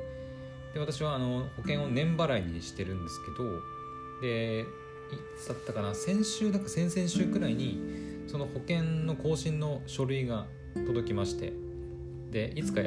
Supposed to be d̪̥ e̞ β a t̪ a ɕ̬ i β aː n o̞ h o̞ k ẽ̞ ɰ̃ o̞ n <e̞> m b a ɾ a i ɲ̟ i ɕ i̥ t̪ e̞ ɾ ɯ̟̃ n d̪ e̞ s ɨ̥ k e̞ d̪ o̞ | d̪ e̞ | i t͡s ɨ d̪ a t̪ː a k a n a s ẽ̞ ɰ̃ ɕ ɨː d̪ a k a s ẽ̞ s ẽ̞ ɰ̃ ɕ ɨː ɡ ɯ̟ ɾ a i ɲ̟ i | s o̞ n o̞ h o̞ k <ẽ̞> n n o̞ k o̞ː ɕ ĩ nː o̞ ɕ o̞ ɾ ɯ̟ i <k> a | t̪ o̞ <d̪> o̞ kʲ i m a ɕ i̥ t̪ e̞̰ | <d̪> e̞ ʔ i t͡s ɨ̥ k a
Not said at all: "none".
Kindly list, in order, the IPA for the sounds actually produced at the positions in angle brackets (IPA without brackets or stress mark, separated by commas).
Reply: ẽ̞, ẽ̞, ɡ, d̪, d̪